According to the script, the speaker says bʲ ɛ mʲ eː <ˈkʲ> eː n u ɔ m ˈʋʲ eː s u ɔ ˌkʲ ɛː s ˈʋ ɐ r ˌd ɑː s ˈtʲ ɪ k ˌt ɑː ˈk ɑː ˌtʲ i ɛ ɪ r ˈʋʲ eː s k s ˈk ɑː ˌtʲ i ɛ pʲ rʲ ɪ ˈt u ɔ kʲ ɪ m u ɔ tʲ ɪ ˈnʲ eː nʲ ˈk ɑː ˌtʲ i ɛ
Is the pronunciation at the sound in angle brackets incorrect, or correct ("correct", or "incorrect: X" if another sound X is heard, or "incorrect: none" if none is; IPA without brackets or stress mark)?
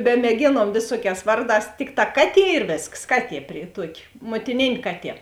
incorrect: ɡʲ